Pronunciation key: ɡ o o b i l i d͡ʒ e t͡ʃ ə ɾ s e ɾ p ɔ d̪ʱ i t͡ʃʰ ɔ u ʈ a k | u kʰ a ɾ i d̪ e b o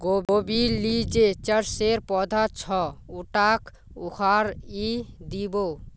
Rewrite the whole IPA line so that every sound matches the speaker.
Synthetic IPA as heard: ɡ o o b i l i d͡ʒ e t͡ʃ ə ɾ s e ɾ p ɔ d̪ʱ a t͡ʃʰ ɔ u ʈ a k | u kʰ a ɾ i d̪ i b o